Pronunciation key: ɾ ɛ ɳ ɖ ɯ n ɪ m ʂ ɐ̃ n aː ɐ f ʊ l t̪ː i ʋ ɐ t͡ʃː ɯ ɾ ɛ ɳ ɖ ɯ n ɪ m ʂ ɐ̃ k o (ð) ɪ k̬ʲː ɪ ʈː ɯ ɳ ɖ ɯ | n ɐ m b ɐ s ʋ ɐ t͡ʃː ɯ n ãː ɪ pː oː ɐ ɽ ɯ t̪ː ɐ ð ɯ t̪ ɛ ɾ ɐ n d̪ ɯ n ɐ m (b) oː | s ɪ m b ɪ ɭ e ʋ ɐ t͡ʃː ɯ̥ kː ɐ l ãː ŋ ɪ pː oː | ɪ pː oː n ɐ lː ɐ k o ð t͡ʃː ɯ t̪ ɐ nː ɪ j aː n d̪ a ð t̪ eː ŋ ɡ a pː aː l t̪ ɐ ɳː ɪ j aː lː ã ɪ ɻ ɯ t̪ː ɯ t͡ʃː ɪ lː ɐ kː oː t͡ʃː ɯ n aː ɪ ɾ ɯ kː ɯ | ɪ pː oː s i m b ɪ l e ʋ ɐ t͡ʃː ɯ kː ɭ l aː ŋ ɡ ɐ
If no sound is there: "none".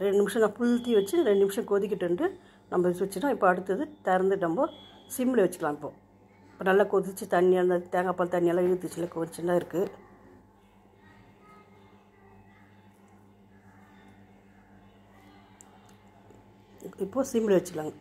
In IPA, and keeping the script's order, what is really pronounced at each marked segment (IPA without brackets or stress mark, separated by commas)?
ð, b